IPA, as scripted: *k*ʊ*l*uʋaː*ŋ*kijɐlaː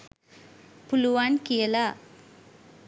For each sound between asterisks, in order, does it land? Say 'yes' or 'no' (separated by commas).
no, yes, no